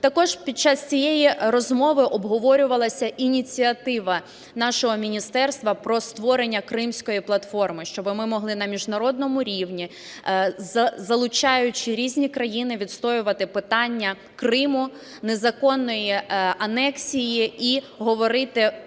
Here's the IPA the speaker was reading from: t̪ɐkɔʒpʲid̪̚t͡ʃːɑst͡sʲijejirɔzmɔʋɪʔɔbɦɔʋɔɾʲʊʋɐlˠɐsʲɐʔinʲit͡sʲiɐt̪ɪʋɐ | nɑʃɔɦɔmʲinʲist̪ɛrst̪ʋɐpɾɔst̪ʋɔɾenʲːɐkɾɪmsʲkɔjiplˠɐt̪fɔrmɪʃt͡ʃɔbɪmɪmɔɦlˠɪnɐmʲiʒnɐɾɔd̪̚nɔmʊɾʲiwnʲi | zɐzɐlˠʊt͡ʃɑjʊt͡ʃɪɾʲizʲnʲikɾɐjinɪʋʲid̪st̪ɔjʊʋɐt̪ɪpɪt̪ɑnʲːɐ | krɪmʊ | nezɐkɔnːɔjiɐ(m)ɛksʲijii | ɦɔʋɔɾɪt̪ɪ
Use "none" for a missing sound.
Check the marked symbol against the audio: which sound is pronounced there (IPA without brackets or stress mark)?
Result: n